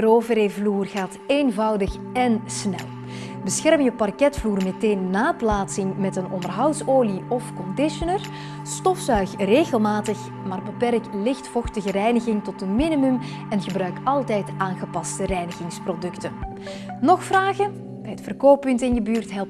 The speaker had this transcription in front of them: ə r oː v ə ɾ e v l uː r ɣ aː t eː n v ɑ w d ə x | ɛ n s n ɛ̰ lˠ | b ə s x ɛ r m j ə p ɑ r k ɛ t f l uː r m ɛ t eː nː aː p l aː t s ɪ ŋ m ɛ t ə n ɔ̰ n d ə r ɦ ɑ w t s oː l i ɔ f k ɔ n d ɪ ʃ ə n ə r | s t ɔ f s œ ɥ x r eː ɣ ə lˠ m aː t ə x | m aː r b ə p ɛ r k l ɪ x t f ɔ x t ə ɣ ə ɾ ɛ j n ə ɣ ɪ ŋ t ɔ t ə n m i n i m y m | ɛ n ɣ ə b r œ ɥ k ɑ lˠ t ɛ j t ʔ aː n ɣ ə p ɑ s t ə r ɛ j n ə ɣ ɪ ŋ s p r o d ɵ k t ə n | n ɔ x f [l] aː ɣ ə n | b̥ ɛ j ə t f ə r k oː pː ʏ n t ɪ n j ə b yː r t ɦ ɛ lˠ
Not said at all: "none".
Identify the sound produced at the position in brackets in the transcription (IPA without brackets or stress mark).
r